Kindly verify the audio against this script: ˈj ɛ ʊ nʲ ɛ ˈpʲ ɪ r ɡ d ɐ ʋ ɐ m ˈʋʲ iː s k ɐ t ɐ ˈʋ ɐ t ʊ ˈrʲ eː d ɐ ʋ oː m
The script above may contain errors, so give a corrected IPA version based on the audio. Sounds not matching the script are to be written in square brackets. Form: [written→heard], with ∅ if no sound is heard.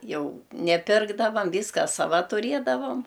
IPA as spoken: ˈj ɛ ʊ nʲ ɛ ˈpʲ ɪ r ɡ d ɐ ʋ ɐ m ˈʋʲ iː s k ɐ [t→s] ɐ ˈʋ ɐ t ʊ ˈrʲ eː d ɐ ʋ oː m